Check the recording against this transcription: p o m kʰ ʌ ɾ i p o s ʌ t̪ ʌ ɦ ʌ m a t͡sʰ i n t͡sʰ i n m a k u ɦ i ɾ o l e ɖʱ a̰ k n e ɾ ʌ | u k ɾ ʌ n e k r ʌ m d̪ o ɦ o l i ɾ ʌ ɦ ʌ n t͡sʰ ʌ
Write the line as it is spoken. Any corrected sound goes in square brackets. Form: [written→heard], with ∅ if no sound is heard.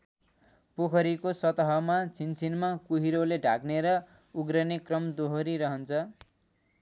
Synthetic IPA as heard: p o [m→∅] kʰ ʌ ɾ i [p→k] o s ʌ t̪ ʌ ɦ ʌ m a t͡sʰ i n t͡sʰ i n m a k u ɦ i ɾ o l e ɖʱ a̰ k n e ɾ ʌ | u [k→ɡ] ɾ ʌ n e k r ʌ m d̪ o ɦ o [l→ɾ] i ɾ ʌ ɦ ʌ n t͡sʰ ʌ